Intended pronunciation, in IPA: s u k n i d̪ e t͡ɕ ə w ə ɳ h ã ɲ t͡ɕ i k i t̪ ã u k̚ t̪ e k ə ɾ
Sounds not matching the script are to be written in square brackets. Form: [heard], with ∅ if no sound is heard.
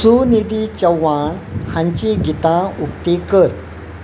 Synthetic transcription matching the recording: s u [∅] n i d̪ [i] t͡ɕ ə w [a] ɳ h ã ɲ t͡ɕ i [ɡ] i t̪ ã u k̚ t̪ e k ə ɾ